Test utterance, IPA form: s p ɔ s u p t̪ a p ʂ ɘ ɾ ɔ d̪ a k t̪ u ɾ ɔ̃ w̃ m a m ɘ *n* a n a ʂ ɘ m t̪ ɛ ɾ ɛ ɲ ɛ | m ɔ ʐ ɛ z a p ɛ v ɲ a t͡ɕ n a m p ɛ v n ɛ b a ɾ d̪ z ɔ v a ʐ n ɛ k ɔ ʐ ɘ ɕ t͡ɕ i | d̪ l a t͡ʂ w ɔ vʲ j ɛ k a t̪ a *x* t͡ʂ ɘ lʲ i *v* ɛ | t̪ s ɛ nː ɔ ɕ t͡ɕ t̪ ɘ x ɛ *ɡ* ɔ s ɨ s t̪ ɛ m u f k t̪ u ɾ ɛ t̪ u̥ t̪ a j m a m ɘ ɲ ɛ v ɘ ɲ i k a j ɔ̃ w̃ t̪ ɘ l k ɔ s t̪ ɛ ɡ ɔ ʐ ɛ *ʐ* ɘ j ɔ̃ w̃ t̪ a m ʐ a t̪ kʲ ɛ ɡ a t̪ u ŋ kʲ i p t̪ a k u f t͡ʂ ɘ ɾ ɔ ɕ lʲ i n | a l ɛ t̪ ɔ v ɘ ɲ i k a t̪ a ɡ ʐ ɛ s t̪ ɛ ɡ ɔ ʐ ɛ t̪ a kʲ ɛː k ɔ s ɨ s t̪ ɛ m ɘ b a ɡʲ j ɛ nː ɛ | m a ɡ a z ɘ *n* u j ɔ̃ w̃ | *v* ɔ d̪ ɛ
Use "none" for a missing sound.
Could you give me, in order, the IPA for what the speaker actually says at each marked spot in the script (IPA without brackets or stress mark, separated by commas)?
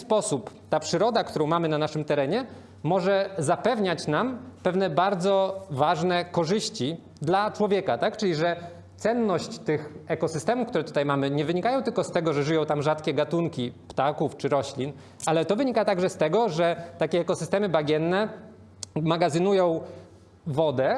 n, k, ʐ, k, ʐ, n, v